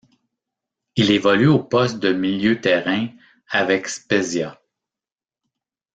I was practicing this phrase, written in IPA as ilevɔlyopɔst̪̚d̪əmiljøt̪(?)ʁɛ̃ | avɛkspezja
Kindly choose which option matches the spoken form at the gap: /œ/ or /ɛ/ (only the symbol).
ɛ